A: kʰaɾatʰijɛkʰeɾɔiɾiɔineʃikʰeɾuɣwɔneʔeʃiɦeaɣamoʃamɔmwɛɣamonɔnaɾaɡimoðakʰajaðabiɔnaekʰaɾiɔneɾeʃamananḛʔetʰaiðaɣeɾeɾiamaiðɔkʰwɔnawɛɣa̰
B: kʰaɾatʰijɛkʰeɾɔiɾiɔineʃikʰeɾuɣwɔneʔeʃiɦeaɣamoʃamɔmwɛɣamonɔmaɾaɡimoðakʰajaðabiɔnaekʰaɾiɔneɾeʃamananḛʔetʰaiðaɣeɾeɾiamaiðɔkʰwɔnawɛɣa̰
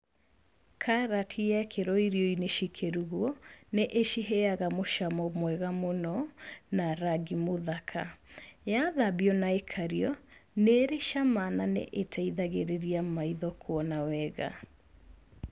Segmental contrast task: A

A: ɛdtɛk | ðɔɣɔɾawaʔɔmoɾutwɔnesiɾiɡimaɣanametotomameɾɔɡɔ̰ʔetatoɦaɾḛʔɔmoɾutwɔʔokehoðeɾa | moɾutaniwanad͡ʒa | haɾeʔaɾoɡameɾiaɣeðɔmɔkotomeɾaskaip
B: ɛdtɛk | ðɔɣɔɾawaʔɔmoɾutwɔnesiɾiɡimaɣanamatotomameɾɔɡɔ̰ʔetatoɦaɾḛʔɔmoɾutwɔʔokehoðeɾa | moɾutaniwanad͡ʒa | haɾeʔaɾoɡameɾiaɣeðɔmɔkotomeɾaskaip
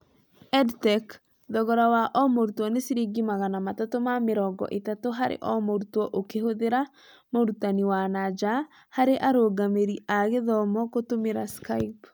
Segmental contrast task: B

